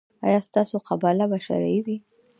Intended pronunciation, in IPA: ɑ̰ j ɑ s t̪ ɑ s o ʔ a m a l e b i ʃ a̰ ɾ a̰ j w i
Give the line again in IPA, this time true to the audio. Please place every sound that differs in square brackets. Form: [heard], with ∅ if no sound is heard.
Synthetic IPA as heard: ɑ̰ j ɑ s t̪ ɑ s o [q] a [b] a l [a] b [a] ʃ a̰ ɾ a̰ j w i